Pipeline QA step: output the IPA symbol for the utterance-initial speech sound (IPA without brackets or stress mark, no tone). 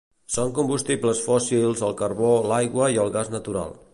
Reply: s